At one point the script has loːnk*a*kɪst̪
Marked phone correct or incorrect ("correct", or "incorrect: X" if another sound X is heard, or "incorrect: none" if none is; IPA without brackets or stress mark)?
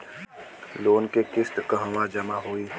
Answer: incorrect: e